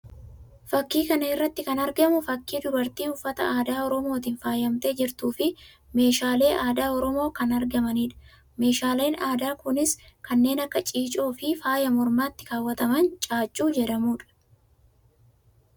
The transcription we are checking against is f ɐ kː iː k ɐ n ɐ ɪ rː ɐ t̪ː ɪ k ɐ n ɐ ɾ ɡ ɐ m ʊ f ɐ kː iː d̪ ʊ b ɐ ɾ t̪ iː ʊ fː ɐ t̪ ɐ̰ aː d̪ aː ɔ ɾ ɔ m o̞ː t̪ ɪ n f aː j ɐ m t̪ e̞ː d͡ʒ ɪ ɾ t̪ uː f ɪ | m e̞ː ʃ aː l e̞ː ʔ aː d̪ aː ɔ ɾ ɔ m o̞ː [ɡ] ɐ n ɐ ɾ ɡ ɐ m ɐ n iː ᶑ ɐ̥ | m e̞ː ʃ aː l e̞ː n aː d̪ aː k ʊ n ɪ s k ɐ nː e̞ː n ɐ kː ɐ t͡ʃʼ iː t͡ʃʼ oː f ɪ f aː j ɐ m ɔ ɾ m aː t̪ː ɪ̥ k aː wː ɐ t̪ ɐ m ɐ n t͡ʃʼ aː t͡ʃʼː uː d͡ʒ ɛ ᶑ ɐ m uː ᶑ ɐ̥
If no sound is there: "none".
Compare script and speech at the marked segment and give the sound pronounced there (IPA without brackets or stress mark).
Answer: k